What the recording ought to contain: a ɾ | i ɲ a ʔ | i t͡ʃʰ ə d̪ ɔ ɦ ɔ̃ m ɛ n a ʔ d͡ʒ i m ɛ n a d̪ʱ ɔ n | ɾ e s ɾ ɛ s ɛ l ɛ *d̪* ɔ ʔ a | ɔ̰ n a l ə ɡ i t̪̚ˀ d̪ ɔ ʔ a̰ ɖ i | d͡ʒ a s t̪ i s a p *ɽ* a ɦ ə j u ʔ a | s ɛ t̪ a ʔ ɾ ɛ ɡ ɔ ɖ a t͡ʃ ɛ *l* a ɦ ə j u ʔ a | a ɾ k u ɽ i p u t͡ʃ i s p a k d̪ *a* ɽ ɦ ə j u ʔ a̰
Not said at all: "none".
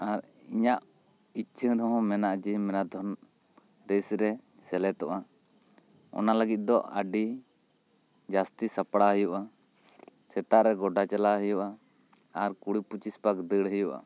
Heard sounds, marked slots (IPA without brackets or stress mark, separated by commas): t̪, ɽ, l, ə